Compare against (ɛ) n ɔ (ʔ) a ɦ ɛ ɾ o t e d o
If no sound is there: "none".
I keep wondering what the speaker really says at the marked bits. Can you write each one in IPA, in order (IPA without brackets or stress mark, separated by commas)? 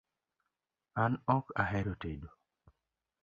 a, k